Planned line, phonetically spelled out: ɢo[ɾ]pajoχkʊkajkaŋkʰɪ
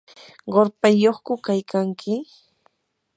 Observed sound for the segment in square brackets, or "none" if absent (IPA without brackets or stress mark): ɾ